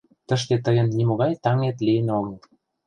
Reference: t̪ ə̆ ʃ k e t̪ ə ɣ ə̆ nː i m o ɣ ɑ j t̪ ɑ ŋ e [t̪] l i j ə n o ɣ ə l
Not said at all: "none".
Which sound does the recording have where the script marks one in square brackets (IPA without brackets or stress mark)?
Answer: t̪